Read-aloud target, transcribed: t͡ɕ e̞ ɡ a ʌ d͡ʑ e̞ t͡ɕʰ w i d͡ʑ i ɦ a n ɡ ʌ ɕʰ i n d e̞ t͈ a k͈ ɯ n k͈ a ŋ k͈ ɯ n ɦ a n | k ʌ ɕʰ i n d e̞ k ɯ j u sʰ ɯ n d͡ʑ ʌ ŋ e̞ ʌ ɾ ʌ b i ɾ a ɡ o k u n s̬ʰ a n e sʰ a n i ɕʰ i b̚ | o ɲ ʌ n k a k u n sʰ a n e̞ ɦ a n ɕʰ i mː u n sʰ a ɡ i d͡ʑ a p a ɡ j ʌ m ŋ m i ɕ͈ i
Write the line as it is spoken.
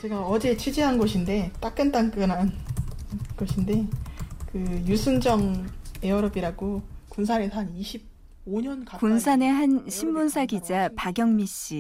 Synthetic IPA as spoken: t͡ɕ e̞ ɡ a ʌ d͡ʑ e̞ t͡ɕʰ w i d͡ʑ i ɦ a n ɡ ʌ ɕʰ i n d e̞ t͈ a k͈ ɯ n t͈ a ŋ k͈ ɯ n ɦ a n | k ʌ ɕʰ i n d e̞ k ɯ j u sʰ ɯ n d͡ʑ ʌ ŋ e̞ ʌ ɾ ʌ b i ɾ a ɡ o k u n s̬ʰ a n e sʰ a n i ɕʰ i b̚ | o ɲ ʌ n k a k u n sʰ a n e̞ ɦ a n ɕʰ i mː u n sʰ a ɡ i d͡ʑ a p a ɡ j ʌ ŋ m i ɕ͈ i